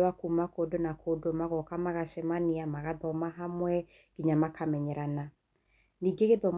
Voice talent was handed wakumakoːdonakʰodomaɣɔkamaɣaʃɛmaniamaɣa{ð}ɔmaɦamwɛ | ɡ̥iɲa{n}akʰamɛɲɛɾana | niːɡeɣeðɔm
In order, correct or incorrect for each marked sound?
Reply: correct, incorrect

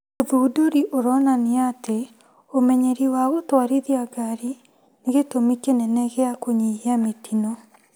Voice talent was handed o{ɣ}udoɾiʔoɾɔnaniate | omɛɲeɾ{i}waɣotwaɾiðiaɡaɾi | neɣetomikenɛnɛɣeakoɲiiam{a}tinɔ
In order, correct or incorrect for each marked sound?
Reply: incorrect, correct, incorrect

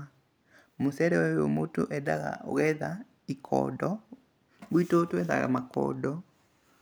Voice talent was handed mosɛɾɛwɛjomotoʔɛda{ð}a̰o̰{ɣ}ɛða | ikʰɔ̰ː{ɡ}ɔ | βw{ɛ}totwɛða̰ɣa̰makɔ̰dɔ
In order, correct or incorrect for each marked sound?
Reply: incorrect, correct, incorrect, incorrect

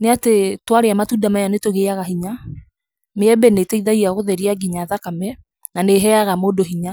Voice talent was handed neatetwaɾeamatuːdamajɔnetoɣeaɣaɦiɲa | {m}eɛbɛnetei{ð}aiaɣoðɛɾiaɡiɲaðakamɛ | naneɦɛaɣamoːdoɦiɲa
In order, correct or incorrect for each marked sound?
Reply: correct, correct

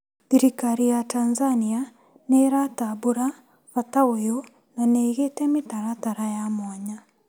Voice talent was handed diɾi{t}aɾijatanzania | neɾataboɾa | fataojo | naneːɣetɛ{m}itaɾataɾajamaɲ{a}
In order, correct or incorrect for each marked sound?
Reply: incorrect, correct, correct

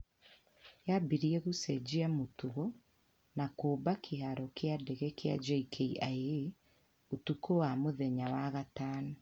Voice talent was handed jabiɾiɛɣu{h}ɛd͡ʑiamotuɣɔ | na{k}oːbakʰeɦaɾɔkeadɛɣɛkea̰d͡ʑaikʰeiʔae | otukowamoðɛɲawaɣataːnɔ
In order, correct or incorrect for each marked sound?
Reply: incorrect, correct

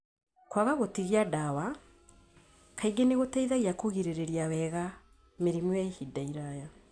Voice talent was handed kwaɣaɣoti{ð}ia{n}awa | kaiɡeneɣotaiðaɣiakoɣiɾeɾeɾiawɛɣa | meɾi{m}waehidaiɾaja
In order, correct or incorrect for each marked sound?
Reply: incorrect, incorrect, correct

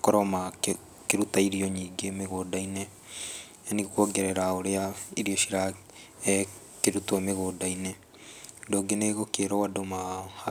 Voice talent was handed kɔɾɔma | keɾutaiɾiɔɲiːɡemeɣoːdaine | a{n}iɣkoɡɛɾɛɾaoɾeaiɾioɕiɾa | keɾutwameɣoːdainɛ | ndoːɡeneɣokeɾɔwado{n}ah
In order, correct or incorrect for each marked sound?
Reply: correct, incorrect

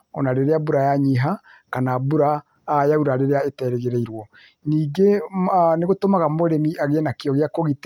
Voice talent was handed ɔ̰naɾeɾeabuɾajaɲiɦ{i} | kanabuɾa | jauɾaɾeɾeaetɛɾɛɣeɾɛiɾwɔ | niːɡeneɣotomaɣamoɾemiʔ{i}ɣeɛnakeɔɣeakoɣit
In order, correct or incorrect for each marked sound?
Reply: incorrect, incorrect

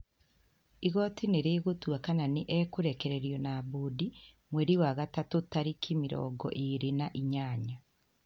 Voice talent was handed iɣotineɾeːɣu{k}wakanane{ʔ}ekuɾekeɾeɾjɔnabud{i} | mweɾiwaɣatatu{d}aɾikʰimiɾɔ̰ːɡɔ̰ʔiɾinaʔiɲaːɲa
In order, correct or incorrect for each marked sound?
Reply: incorrect, correct, correct, incorrect

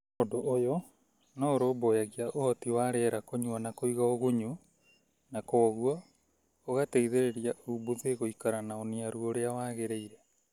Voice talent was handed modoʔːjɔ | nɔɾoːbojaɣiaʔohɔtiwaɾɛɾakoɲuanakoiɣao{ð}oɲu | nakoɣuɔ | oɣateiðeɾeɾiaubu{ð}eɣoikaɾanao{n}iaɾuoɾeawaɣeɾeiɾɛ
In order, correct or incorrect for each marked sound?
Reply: incorrect, correct, correct

